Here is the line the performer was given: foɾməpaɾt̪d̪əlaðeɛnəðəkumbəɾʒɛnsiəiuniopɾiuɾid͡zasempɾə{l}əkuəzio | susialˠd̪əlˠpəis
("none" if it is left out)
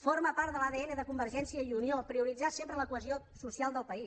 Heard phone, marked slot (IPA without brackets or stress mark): l